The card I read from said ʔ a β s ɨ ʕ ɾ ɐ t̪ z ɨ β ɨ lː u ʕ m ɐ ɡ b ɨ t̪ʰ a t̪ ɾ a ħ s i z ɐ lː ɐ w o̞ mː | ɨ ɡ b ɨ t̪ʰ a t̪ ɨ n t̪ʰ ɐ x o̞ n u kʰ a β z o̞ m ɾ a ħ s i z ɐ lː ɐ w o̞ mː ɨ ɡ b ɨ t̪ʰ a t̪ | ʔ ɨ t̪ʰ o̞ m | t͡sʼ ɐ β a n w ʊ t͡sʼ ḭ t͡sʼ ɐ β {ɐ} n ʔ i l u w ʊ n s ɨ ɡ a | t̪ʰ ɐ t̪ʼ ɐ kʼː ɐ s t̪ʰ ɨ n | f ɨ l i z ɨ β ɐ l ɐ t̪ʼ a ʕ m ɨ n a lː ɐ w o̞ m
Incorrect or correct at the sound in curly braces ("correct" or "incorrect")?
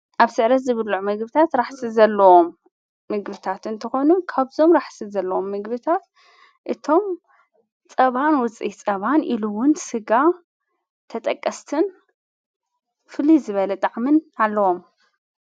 incorrect